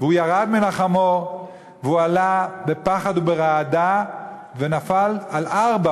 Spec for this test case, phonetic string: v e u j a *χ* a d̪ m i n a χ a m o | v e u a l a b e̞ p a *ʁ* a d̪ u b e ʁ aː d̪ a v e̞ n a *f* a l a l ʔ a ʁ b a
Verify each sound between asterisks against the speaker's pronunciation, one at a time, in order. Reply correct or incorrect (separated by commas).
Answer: incorrect, incorrect, correct